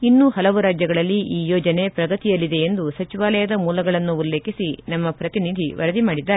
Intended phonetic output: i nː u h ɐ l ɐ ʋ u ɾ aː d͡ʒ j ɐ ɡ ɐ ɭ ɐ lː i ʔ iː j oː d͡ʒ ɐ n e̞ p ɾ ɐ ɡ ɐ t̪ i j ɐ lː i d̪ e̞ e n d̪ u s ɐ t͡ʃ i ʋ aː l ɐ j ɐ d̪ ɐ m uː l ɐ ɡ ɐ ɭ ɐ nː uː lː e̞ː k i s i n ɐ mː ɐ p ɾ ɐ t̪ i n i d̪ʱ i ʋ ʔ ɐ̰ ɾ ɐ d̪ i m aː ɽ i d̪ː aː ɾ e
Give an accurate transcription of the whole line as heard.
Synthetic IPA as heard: i nː u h ɐ l ɐ ʋ u ɾ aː d͡ʒ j ɐ ɡ ɐ ɭ ɐ lː i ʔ iː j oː d͡ʒ ɐ n e̞ p ɾ ɐ ɡ ɐ t̪ i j ɐ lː i d̪ e̞ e n d̪ u s ɐ t͡ʃ i ʋ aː l ɐ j ɐ d̪ ɐ m uː l ɐ ɡ ɐ ɭ ɐ nː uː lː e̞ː k i s i n ɐ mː ɐ p ɾ ɐ t̪ i n i d̪ʱ i ʋ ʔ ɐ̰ ɾ ɐ d̪ i m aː ɽ i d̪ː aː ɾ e